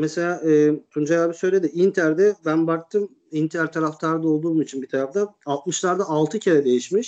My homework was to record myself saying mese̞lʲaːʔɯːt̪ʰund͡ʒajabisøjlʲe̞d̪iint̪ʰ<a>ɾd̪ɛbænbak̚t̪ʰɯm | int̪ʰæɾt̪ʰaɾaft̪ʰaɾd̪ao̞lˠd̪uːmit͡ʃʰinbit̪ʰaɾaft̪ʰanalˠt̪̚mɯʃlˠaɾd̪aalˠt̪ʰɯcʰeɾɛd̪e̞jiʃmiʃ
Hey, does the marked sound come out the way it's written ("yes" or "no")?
no